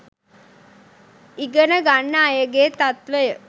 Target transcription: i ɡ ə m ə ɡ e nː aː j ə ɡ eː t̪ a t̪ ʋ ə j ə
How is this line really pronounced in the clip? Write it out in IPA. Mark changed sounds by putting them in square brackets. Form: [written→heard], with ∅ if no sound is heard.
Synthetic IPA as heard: i ɡ ə [m→n] ə ɡ [e→a] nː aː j ə ɡ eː t̪ a t̪ ʋ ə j ə